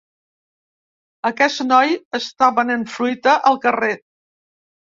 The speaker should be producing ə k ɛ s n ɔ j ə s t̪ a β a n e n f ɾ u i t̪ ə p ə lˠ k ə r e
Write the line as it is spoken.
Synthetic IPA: ə k ɛ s n ɔ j ə s t̪ a β ə n e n f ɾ u j t̪ ə ʔ ə lˠ k ə r e